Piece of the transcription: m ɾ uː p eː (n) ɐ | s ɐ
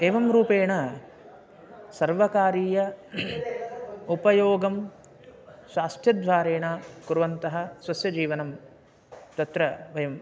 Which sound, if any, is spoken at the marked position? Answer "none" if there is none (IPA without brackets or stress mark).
ɳ